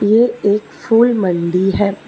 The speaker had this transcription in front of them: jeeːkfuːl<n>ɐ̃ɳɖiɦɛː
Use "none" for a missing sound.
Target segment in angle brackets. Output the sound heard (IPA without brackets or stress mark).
m